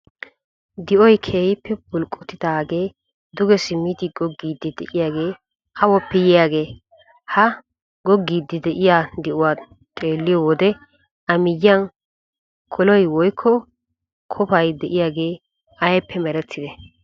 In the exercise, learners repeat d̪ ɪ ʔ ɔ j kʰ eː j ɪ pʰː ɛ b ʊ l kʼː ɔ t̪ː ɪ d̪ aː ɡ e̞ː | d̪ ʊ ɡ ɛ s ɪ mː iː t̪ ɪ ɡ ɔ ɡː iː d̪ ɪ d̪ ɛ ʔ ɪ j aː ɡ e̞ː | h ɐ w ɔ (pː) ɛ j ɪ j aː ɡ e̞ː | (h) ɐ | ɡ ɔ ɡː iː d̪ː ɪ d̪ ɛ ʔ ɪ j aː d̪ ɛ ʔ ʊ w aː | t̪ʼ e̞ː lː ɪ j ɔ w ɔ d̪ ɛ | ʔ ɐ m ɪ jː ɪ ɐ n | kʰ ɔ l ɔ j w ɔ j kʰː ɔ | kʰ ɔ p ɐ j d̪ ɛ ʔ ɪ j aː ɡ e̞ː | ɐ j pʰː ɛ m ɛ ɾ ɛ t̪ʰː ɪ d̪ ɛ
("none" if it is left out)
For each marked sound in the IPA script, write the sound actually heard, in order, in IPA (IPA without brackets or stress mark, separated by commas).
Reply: pː, h